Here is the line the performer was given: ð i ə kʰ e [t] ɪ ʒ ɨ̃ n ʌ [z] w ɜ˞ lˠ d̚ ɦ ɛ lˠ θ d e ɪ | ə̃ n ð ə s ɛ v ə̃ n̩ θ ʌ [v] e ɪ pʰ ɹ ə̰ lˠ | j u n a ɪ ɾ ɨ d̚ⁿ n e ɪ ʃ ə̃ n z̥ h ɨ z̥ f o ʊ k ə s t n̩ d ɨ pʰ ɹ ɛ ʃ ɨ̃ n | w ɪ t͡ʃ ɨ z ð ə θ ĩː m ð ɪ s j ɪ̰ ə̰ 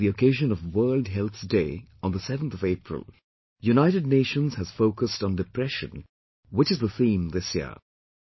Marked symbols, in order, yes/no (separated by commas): no, no, yes